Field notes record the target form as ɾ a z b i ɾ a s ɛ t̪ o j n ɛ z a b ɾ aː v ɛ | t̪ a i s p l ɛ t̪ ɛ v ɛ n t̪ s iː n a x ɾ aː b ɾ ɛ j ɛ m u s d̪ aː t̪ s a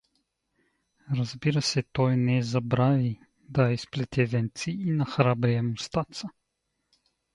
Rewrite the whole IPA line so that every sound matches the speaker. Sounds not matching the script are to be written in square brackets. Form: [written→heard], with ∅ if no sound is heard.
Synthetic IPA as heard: ɾ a z b i ɾ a s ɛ t̪ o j n ɛ z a b ɾ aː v [ɛ→i] | [t̪→d̪] a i s p l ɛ t̪ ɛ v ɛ n t̪ s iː n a x ɾ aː b ɾ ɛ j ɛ m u s [d̪→t̪] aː t̪ s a

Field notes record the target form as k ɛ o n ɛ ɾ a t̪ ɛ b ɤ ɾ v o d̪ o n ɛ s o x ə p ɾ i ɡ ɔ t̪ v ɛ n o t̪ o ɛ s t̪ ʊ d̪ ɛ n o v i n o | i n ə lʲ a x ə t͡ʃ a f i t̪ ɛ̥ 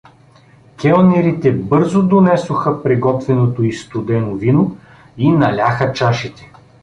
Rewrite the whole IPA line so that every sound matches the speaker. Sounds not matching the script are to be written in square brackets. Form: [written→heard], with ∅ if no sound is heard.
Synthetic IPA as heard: k ɛ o n ɛ ɾ [a→i] t̪ ɛ b ɤ ɾ [v→z] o d̪ o n ɛ s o x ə p ɾ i ɡ ɔ t̪ v ɛ n o t̪ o [ɛ→i] s t̪ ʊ d̪ ɛ n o v i n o | i n [ə→ɐ] lʲ a x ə t͡ʃ a [f→ʃ] i t̪ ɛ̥

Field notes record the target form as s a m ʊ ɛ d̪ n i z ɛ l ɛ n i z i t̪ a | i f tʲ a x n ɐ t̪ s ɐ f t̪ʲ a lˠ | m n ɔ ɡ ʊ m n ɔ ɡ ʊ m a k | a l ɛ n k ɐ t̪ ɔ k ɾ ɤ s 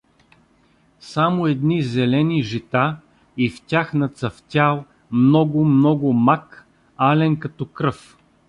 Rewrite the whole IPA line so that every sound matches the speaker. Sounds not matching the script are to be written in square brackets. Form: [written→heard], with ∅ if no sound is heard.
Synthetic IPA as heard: s a m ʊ ɛ d̪ n i z ɛ l ɛ n i [z→ʒ] i t̪ a | i f tʲ a x n ɐ t̪ s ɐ f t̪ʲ a lˠ | m n ɔ ɡ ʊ m n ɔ ɡ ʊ m a k | a l ɛ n k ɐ t̪ ɔ k ɾ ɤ [s→f]

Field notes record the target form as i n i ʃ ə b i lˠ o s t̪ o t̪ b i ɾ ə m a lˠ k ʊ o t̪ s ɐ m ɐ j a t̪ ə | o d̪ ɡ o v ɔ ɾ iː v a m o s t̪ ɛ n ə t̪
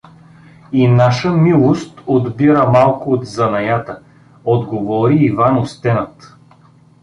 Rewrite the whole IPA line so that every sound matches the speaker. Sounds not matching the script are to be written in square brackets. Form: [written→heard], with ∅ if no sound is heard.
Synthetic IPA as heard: i n [i→a] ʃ ə [b→m] i lˠ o s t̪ o [t̪→d̪] b i ɾ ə m a lˠ k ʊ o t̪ [s→z] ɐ [m→n] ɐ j a t̪ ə | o d̪ ɡ o v ɔ ɾ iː v a [m→n] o s t̪ ɛ n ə t̪

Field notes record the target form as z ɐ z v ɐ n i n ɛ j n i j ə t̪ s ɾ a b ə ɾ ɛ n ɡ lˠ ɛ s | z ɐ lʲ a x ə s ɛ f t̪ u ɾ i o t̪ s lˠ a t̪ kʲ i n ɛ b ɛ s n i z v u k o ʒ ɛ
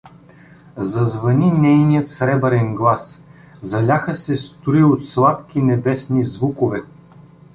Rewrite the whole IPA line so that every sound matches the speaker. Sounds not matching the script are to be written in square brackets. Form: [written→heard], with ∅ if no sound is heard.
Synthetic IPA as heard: z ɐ z v ɐ n i n ɛ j n i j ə t̪ s ɾ [a→ɛ] b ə ɾ ɛ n ɡ lˠ [ɛ→a] s | z ɐ lʲ a x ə s ɛ [f→s] t̪ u ɾ i o t̪ s lˠ a t̪ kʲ i n ɛ b ɛ s n i z v u k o [ʒ→v] ɛ

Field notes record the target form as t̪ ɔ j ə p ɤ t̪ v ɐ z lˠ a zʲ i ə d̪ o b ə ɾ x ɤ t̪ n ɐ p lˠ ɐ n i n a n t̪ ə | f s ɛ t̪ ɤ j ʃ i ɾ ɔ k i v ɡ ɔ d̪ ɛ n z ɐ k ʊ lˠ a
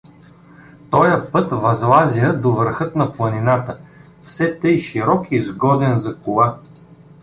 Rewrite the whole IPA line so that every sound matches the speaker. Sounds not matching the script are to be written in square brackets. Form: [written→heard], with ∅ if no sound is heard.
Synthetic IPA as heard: t̪ ɔ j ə p ɤ t̪ v ɐ z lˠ a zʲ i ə d̪ o [b→v] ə ɾ x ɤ t̪ n ɐ p lˠ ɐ n i n a [n→∅] t̪ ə | f s ɛ t̪ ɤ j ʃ i ɾ ɔ k i [v→z] ɡ ɔ d̪ ɛ n z ɐ k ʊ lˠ a

